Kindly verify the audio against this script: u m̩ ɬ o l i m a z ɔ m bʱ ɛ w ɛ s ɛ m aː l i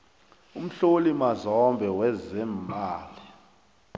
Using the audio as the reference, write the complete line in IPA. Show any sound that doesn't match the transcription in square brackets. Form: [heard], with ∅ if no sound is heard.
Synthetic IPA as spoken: u m̩ ɬ o l i m a z ɔ m bʱ ɛ w ɛ [z] ɛ m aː l i